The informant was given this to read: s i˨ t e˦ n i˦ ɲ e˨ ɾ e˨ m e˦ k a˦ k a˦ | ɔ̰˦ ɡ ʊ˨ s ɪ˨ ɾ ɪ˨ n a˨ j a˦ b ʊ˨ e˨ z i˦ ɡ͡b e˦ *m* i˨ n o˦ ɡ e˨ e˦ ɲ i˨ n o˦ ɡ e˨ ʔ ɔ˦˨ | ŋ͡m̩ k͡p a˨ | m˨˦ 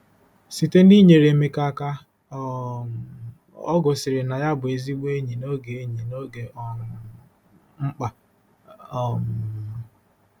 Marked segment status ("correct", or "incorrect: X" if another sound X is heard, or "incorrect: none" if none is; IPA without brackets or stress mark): incorrect: ɲ